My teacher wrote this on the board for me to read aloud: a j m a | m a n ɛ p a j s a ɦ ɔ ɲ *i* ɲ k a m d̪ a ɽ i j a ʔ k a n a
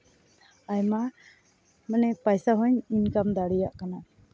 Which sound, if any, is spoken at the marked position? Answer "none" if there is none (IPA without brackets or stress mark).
i